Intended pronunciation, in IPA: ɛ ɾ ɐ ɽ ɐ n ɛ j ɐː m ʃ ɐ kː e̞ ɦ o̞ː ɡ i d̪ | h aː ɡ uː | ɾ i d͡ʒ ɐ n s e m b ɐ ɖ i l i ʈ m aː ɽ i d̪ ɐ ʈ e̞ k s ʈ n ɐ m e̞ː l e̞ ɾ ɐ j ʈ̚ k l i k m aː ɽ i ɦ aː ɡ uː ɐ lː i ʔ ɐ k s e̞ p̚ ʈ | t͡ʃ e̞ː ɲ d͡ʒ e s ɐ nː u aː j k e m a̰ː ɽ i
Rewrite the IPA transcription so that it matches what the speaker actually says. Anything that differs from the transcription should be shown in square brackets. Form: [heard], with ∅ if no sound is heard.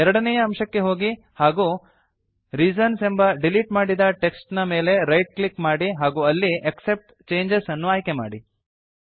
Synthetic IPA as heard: ɛ ɾ ɐ ɽ ɐ n ɛ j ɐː m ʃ ɐ kː e̞ ɦ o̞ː ɡ i [∅] | h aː ɡ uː | ɾ i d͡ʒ ɐ n s e m b ɐ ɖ i l i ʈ m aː ɽ i d̪ ɐ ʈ e̞ k s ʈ n ɐ m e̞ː l e̞ ɾ ɐ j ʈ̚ k l i k m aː ɽ i ɦ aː ɡ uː ɐ lː i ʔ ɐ k s e̞ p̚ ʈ | t͡ʃ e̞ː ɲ d͡ʒ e s ɐ nː u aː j k e m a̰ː ɽ i